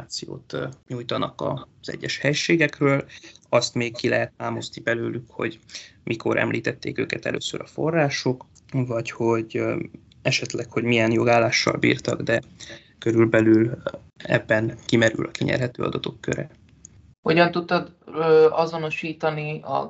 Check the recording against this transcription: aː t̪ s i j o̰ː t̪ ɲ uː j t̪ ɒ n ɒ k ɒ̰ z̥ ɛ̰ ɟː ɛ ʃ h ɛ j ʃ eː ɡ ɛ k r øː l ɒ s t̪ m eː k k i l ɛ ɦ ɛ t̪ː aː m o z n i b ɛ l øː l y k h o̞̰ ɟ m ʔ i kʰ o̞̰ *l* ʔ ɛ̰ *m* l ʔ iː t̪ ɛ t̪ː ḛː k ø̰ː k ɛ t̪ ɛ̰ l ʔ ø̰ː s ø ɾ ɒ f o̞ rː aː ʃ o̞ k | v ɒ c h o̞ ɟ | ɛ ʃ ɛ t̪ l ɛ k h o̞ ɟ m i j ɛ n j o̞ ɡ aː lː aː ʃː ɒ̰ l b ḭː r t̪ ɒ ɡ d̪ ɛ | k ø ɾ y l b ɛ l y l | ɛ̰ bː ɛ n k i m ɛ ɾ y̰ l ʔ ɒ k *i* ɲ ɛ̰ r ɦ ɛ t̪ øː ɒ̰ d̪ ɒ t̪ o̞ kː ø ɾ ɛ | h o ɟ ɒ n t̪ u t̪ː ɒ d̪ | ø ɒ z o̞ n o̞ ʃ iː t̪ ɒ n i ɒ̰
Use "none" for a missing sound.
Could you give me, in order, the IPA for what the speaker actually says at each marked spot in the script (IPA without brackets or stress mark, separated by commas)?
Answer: ɾ, m, i